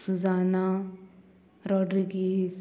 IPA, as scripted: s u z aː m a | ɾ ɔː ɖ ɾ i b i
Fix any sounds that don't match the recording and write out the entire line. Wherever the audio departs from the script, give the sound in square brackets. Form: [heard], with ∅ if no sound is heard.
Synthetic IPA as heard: s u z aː [n] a | ɾ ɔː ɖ ɾ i [ɡ] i